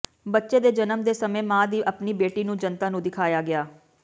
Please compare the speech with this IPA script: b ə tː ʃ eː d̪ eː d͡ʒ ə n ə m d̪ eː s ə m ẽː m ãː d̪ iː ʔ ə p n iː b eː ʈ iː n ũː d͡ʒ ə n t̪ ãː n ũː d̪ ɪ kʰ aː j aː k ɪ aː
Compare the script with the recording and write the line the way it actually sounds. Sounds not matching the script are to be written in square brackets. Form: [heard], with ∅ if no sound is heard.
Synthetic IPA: b ə tː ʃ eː d̪ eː d͡ʒ ə n ə m d̪ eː s ə m ẽː m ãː d̪ iː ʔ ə p n iː b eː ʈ iː n ũː d͡ʒ ə n t̪ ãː n ũː d̪ ɪ kʰ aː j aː [ɡ] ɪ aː